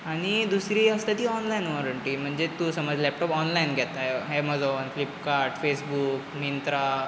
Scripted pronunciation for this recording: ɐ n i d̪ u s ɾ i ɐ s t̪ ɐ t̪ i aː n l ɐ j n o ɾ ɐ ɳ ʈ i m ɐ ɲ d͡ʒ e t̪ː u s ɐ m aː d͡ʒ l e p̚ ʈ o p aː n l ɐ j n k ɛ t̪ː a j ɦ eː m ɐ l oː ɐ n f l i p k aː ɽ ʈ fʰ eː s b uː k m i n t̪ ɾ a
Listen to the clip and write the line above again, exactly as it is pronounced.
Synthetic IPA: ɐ n i d̪ u s ɾ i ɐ s t̪ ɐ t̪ i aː n l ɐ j n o ɾ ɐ ɳ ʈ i m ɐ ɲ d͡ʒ e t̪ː u s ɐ m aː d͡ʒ l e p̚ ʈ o p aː n l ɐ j n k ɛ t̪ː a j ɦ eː m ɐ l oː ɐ n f l i p k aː ɾ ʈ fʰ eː s b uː k m i n t̪ ɾ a